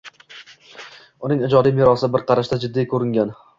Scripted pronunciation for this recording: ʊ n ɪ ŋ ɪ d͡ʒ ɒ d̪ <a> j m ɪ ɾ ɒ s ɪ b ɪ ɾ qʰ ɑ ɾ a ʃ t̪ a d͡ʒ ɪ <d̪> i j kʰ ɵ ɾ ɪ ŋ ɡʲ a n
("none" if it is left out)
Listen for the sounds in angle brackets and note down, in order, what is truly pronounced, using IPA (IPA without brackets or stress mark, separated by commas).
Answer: i, d̪ː